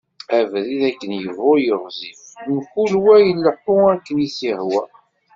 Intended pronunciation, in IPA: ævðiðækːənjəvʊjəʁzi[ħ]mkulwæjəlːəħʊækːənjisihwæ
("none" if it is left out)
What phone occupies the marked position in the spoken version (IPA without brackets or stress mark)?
f